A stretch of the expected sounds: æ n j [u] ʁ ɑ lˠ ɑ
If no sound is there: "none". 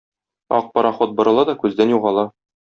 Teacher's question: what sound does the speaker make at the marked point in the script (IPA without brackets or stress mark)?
u